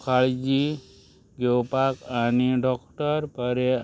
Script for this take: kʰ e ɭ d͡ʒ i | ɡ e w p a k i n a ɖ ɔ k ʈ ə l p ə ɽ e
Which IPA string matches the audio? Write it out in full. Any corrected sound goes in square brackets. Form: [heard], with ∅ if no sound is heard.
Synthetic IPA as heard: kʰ [a] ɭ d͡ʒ i | ɡ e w p a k [a] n [i] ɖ ɔ k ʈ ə [ɾ] p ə [ɾ] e